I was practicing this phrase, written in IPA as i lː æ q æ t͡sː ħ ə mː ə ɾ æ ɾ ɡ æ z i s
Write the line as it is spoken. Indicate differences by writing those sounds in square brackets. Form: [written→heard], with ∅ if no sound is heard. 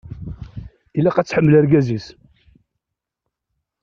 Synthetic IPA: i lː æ q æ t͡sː ħ ə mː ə [ɾ→l] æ ɾ ɡ æ z i s